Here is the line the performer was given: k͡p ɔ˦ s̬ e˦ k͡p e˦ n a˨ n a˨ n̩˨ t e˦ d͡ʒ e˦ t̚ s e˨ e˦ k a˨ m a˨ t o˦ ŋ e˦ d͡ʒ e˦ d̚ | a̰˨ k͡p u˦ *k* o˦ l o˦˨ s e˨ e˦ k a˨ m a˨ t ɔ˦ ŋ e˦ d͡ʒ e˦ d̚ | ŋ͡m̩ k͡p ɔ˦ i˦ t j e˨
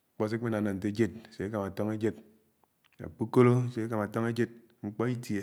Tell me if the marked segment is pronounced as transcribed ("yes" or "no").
yes